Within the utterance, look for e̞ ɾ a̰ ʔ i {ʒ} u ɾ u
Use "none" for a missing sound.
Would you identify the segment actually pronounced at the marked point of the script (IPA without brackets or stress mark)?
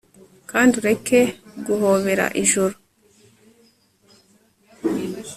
ʒ